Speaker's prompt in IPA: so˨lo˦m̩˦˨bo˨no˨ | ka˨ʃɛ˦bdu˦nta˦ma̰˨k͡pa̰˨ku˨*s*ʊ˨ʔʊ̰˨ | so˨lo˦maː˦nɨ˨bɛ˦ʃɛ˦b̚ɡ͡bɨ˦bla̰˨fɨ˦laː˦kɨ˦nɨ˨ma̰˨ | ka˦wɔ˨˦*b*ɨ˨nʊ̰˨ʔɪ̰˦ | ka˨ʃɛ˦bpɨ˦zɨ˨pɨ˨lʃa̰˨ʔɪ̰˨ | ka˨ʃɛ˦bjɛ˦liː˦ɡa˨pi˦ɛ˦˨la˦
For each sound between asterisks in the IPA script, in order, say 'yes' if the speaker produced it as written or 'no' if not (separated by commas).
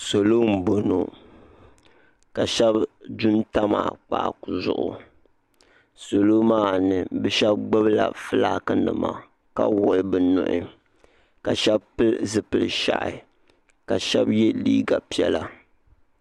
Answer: no, yes